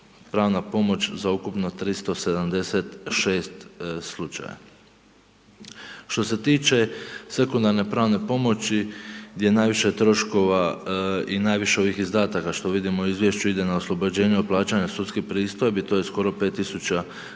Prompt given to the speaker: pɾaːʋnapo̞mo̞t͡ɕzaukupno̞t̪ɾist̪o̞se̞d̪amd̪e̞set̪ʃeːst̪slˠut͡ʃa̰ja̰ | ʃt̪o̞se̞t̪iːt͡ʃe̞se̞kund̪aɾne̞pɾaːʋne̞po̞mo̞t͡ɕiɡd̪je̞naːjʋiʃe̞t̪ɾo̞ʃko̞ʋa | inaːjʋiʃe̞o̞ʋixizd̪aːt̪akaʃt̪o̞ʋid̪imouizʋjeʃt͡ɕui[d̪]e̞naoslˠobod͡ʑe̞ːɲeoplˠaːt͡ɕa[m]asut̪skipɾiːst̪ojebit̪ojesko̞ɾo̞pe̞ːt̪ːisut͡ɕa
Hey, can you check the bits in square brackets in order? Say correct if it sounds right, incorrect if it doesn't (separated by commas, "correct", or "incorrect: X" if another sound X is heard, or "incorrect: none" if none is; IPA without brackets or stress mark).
correct, incorrect: ɲ